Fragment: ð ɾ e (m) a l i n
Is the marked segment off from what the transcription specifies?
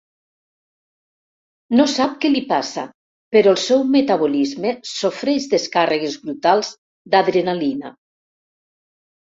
yes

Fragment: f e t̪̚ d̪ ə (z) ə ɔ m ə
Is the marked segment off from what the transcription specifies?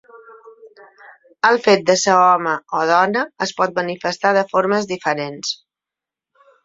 yes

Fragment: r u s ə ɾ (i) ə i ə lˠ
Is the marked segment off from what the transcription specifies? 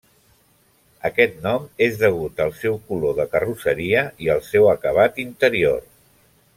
no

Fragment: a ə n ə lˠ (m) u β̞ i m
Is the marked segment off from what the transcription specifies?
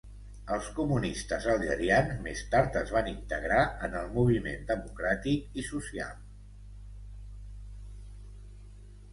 no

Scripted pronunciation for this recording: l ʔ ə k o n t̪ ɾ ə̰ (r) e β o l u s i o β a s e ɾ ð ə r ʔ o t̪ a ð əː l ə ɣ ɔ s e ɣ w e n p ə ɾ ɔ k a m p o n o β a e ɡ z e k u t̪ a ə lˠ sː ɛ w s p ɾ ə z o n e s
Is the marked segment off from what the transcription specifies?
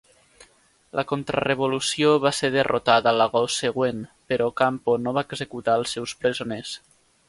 no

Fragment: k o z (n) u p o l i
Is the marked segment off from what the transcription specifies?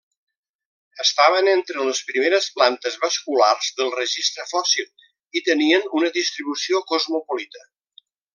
yes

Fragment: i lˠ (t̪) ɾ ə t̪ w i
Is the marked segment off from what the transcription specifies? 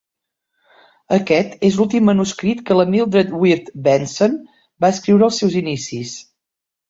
yes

